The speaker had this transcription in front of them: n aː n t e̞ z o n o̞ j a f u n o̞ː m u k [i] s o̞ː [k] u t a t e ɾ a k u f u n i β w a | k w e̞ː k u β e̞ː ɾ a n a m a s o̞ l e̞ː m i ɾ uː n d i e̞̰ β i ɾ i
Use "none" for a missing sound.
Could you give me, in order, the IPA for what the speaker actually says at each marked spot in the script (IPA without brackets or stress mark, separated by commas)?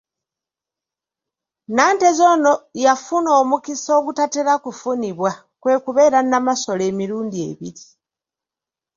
i, ɡ